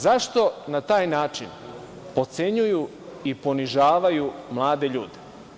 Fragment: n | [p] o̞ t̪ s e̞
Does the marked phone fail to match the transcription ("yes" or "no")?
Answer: no